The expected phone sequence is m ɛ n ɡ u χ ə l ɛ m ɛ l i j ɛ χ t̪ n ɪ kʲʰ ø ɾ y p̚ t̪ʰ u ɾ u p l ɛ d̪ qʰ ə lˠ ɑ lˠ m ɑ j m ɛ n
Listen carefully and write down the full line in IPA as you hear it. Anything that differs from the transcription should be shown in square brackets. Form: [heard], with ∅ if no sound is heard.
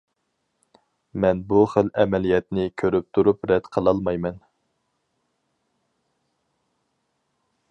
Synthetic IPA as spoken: m ɛ n [b] u χ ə l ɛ m ɛ l i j ɛ [∅] t̪ n ɪ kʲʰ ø ɾ y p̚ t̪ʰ u ɾ u p [ɾ] ɛ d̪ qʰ ə lˠ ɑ lˠ m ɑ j m ɛ n